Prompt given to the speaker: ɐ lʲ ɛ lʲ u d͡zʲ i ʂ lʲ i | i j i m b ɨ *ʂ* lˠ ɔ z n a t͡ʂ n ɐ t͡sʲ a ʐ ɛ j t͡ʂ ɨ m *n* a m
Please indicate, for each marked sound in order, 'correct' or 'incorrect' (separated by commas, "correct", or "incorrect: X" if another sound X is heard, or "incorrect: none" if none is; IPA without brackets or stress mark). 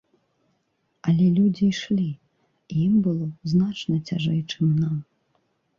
incorrect: none, correct